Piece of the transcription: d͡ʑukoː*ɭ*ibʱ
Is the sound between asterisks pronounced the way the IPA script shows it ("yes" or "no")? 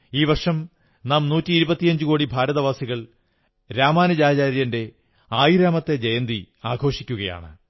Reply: no